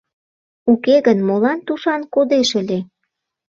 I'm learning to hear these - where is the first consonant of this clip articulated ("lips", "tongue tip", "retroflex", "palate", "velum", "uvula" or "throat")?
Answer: velum